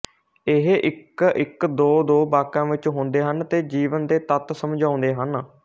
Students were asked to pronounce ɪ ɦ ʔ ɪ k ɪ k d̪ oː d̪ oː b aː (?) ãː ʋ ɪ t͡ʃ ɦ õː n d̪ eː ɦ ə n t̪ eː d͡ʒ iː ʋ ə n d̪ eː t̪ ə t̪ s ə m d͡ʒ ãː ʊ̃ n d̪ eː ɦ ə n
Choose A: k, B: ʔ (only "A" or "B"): A